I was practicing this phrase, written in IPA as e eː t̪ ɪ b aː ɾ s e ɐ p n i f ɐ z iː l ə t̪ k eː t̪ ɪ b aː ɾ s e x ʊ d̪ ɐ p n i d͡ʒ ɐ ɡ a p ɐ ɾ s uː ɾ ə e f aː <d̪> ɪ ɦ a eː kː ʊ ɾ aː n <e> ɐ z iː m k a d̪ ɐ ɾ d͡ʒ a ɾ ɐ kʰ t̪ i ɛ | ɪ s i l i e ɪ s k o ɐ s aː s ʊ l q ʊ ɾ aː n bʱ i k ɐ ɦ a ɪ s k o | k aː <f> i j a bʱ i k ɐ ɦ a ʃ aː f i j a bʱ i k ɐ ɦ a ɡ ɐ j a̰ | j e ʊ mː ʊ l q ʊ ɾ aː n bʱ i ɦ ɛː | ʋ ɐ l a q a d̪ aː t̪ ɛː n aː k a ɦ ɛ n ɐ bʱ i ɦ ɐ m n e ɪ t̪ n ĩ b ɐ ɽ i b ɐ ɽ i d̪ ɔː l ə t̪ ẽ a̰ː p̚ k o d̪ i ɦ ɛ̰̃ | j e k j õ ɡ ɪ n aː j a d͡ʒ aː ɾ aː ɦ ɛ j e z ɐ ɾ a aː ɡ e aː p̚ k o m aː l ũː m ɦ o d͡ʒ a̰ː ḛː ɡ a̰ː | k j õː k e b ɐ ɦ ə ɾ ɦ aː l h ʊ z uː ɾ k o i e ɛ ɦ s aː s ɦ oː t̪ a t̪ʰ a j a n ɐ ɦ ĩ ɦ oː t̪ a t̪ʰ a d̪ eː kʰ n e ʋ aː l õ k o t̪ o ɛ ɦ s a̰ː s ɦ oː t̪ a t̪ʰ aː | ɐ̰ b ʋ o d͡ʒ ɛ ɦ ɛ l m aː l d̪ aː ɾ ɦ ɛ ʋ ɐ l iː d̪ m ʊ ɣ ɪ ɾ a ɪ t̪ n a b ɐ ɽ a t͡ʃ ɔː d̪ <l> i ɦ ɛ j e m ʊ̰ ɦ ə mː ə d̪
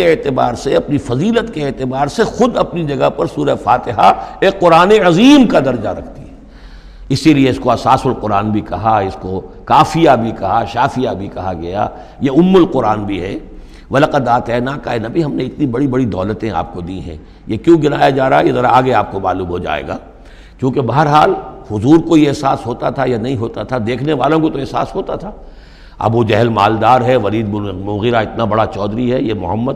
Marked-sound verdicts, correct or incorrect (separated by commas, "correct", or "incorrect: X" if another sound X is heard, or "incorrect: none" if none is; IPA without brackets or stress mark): incorrect: t̪, correct, correct, incorrect: ɾ